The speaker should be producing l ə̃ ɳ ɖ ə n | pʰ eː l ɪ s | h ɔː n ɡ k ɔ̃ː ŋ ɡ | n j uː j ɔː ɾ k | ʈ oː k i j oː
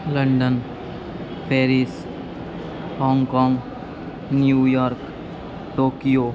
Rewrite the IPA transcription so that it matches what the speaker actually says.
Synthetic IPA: l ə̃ ɳ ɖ ə n | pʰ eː ɾ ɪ s | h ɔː ŋ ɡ k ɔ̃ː ŋ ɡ | n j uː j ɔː ɾ k | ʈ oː k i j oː